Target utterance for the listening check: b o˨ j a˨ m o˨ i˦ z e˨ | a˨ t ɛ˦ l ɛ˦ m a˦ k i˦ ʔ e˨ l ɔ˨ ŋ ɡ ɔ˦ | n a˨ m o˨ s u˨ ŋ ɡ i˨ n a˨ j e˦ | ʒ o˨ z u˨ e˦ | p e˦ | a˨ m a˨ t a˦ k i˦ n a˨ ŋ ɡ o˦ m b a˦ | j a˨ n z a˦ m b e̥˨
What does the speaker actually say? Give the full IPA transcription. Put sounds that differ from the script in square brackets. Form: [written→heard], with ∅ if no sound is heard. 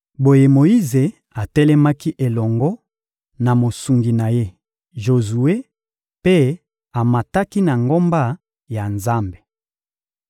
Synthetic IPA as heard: b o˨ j [a˨→e˨] m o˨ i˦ z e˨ | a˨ t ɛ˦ l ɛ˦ m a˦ k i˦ ʔ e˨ l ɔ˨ ŋ ɡ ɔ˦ | n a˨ m o˨ s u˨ ŋ ɡ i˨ n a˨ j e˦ | ʒ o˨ z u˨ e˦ | p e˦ | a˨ m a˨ t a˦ k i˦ n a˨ ŋ ɡ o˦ m b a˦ | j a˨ n z a˦ m b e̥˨